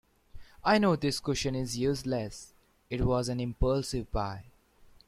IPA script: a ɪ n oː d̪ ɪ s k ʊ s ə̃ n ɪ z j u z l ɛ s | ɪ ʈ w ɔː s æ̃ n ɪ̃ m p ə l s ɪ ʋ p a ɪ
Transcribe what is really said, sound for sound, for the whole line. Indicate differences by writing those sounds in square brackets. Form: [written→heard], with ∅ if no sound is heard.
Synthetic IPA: a ɪ n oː d̪ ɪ s k ʊ [s→ʃ] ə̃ n ɪ z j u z l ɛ s | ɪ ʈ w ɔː [s→z] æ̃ n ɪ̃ m p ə l s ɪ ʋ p a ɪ